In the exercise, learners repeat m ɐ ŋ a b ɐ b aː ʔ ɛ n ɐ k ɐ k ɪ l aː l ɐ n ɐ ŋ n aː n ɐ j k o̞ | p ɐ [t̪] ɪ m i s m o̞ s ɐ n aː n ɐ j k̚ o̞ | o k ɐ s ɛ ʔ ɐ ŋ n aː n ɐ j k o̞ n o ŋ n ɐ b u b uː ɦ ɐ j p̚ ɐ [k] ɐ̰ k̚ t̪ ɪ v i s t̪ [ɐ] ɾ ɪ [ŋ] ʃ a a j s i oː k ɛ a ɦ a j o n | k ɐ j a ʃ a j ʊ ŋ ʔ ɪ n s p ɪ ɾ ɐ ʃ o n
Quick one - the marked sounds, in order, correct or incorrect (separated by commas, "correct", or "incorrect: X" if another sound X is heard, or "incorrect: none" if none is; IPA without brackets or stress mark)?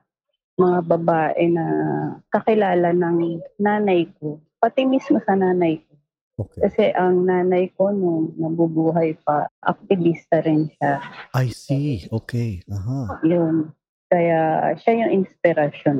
correct, incorrect: ʔ, correct, incorrect: n